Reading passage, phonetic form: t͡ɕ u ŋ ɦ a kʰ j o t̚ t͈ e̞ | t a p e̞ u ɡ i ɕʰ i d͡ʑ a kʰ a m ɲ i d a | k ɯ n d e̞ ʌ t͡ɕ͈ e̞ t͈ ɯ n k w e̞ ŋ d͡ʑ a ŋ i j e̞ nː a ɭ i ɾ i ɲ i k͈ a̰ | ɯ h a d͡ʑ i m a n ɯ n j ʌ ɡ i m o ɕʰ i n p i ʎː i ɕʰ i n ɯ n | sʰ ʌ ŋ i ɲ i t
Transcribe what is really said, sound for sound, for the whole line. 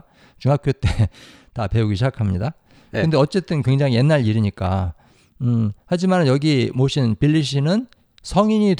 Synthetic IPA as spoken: t͡ɕ u ŋ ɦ a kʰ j o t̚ t͈ e̞ | t a p e̞ u ɡ i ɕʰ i d͡ʑ a kʰ a m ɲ i d a | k ɯ n d e̞ ʌ t͡ɕ͈ e̞ t͈ ɯ n k w e̞ ŋ d͡ʑ a ŋ i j e̞ nː a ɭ i ɾ i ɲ i k͈ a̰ | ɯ h a d͡ʑ i m a n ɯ n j ʌ ɡ i m o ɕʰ i n p i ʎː i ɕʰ i n ɯ n | sʰ ʌ ŋ i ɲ i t